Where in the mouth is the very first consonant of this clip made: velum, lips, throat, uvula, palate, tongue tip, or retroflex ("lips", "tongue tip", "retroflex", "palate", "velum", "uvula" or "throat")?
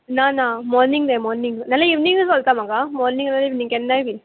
tongue tip